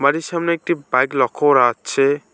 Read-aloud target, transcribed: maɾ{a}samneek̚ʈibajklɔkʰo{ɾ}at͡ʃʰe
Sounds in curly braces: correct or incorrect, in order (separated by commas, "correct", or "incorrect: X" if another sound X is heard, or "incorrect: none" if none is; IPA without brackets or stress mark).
incorrect: i, correct